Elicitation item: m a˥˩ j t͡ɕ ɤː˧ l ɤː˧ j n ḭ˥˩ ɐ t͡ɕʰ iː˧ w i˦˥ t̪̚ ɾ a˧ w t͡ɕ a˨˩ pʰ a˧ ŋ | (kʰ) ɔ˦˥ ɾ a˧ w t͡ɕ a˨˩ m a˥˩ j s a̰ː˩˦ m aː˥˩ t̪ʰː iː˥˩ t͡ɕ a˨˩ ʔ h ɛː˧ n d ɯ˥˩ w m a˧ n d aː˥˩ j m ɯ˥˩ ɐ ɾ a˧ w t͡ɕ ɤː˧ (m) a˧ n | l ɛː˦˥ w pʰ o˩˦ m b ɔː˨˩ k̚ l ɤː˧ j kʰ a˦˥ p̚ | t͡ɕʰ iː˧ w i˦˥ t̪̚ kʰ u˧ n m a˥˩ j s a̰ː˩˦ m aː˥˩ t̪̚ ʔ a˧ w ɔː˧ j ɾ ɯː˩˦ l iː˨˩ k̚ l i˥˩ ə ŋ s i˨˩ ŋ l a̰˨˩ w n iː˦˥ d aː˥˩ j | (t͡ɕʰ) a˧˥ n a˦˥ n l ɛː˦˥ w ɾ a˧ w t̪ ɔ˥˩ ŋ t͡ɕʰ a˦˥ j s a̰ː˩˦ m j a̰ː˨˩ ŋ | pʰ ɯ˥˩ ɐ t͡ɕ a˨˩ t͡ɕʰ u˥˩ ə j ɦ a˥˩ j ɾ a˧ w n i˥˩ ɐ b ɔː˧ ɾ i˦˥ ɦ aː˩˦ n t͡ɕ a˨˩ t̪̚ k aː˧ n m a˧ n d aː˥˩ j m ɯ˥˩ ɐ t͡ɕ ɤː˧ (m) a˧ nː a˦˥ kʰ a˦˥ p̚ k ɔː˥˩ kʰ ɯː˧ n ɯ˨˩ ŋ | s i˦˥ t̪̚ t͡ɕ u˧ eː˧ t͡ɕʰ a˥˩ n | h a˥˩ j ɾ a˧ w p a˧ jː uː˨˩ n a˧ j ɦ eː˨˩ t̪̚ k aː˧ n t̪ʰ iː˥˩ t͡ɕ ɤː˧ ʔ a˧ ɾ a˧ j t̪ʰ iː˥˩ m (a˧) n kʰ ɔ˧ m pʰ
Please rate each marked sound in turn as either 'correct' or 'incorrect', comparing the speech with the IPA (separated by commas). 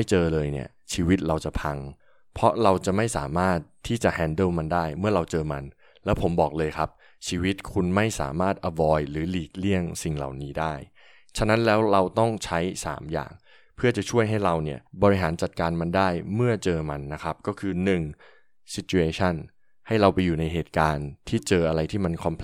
incorrect, correct, correct, correct, correct